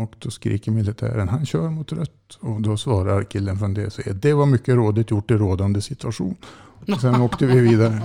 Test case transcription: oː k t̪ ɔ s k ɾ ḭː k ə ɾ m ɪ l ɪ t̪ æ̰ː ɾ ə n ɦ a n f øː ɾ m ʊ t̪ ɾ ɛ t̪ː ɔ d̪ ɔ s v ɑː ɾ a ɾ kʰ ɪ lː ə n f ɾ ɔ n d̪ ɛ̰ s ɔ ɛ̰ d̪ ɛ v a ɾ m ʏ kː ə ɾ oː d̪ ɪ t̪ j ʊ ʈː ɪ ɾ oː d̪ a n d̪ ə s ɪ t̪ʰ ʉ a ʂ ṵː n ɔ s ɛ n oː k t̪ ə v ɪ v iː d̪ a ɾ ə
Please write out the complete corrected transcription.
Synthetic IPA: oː k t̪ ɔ s k ɾ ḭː k ə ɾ m ɪ l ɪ t̪ʰ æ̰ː ɾ ə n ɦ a n ɕ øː ɾ m ʊ t̪ ɾ œ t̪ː ɔ d̪ ɔ s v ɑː ɾ a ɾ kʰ ɪ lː ə n f ɾ ɔ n d̪ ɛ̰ s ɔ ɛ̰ d̪ ɛ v a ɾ m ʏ kː ə ɾ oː d̪ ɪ t̪ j ʊ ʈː ɪ ɾ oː d̪ a n d̪ ə s ɪ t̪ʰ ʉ a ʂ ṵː n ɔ s ɛ n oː k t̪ ə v ɪ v iː d̪ a ɾ ə